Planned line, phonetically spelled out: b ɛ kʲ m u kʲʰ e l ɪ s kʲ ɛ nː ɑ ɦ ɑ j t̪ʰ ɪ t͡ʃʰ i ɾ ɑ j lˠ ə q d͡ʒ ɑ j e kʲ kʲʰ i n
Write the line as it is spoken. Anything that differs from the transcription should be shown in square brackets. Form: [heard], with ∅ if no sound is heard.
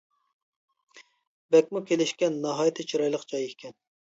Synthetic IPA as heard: b ɛ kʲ m u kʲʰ e l ɪ [ʃ] kʲ ɛ nː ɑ ɦ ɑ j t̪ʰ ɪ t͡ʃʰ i ɾ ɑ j lˠ ə q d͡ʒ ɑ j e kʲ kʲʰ [ɛ] n